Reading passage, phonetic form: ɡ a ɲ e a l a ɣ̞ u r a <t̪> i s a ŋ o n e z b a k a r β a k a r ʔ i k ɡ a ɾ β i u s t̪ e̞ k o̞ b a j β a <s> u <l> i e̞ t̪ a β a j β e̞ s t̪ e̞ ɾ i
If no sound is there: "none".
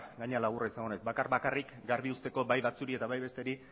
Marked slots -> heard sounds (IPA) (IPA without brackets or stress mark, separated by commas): none, t͡s, ɾ